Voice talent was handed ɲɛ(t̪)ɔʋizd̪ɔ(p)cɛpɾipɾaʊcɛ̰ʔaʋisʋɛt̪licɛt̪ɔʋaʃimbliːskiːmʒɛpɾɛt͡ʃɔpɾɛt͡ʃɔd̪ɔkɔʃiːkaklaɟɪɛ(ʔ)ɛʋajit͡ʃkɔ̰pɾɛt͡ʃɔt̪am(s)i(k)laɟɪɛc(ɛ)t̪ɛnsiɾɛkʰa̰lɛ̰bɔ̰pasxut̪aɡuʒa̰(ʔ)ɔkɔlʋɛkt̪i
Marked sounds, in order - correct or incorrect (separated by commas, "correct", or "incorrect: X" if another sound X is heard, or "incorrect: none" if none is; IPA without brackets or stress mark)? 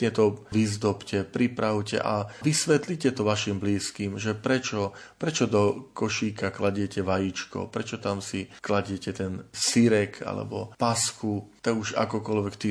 correct, correct, incorrect: c, correct, correct, correct, incorrect: k